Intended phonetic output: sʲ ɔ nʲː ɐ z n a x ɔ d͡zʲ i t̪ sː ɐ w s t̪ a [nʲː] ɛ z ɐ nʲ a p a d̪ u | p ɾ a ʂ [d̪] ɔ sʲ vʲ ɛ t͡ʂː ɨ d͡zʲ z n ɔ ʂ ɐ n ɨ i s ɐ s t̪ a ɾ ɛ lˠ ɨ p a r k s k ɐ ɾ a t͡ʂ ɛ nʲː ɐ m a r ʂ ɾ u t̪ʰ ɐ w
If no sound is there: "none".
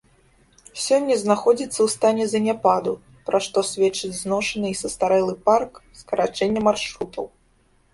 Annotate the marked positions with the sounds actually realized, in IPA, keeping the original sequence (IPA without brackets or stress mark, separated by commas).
nʲ, t̪